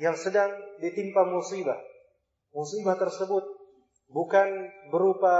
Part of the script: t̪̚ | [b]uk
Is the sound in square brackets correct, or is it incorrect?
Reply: correct